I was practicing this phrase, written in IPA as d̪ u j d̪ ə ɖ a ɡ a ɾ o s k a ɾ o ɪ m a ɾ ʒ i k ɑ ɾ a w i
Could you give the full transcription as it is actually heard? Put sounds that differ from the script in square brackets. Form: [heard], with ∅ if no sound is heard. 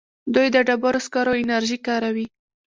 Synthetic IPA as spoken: d̪ u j d̪ ə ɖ a [b] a ɾ o s k [ɑ] ɾ o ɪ [n] a ɾ ʒ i k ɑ ɾ a w i

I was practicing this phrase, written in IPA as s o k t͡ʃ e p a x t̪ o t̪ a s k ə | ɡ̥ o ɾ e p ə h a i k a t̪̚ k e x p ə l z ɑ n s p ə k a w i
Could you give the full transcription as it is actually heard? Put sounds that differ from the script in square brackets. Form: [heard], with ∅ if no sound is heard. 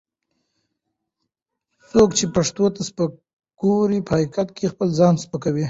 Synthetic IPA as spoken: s o k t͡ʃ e p a [ʂ] t̪ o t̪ a s [p] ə | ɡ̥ o ɾ [i] p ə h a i k a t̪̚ k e x p ə l z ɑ n s p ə k a w i

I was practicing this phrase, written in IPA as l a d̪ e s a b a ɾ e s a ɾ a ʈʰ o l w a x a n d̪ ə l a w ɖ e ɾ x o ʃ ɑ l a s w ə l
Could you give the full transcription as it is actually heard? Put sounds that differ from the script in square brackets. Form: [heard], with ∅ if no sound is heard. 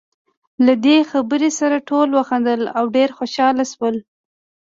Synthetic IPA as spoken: l a d̪ e [x] a b [ə] ɾ e s a ɾ a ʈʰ o l w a x a n d̪ ə l a w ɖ e ɾ x o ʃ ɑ l a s w ə l

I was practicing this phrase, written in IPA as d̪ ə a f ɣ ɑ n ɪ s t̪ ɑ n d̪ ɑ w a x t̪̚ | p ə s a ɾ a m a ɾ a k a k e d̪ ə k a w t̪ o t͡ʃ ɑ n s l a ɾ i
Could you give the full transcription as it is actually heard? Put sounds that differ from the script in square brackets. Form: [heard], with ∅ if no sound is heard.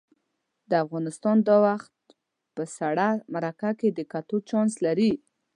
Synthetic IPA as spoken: d̪ ə a f ɣ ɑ n ɪ s t̪ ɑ n d̪ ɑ w a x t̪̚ | p ə s a [ɽ] a m a ɾ a k a k e d̪ ə k a [∅] t̪ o t͡ʃ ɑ n s l a ɾ i

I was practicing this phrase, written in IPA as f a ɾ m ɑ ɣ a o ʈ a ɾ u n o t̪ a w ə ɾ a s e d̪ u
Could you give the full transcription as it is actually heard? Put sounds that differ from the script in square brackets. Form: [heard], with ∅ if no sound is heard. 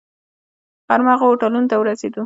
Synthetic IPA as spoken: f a ɾ m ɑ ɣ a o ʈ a [l] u n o t̪ a w ə ɾ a s e d̪ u

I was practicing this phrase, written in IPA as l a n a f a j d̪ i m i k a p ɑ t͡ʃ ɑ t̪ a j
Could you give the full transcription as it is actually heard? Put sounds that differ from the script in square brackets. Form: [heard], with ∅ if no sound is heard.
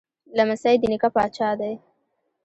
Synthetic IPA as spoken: l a [m] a [s] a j d̪ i [n] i k a p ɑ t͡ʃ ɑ [d̪] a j

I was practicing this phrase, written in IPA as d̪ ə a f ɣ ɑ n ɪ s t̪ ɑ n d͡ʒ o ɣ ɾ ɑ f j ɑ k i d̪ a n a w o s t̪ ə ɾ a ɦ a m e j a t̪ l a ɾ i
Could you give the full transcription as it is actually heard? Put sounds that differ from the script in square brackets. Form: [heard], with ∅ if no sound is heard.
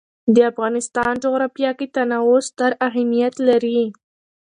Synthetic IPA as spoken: d̪ ə a f ɣ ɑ n ɪ s t̪ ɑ n d͡ʒ o ɣ ɾ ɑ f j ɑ k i [t̪] a n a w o s t̪ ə ɾ a ɦ a m [i] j a t̪ l a ɾ i

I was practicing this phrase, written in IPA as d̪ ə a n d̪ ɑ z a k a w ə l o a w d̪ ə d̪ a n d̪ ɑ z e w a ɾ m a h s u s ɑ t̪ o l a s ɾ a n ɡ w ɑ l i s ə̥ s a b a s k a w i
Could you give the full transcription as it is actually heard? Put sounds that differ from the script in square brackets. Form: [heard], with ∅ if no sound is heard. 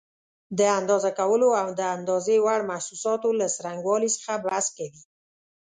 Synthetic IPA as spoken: d̪ ə a n d̪ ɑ z a k a w ə l o a w d̪ ə [∅] a n d̪ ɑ z e w a [ɽ] m a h s u s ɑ t̪ o l a s ɾ a [ŋ] ɡ w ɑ l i s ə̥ [x] a b a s k a w i

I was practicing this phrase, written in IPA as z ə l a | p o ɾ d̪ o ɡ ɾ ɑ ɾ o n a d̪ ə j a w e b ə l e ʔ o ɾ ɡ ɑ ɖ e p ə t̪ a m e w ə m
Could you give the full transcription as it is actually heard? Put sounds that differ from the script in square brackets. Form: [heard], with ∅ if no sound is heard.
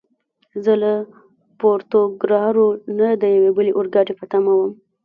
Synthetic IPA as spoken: z ə l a | p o ɾ [t̪] o ɡ ɾ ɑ ɾ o n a d̪ ə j a w e b ə l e ʔ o ɾ ɡ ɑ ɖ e p ə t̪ a m [a] w ə m

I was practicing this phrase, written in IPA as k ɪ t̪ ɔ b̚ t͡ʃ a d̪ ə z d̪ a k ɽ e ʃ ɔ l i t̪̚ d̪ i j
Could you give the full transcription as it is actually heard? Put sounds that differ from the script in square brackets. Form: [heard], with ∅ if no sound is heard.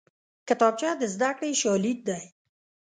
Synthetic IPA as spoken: k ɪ t̪ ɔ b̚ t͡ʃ a d̪ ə z d̪ a k ɽ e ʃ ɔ l i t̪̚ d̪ [a] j

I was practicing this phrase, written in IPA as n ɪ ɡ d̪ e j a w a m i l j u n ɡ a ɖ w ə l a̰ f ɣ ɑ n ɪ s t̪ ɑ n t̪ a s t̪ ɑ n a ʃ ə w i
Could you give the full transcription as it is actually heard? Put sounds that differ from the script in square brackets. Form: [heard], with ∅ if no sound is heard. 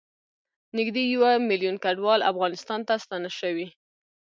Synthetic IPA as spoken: n ɪ ɡ d̪ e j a w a m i l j u n [k] a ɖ w [ɑ] l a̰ f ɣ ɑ n ɪ s t̪ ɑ n t̪ a s t̪ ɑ n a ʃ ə w i

